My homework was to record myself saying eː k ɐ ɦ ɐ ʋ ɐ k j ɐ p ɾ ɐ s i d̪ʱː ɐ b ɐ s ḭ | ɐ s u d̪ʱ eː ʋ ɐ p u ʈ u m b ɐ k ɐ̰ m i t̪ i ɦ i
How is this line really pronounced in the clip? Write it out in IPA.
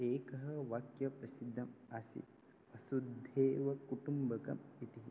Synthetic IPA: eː k ɐ ɦ ɐ ʋ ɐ k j ɐ p ɾ ɐ s i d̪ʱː ɐ m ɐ s ḭ | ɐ s u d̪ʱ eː ʋ ɐ k u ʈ u m b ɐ k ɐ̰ m i t̪ i ɦ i